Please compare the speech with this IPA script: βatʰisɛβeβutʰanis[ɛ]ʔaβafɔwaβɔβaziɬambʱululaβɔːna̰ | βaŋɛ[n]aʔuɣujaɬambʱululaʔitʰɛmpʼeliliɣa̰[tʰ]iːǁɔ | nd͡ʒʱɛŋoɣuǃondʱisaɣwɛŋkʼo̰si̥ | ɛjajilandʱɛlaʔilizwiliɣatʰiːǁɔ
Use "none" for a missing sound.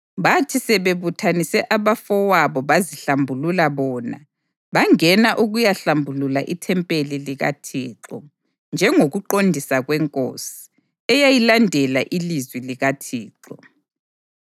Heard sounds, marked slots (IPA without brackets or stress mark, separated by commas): ɛ, n, tʰ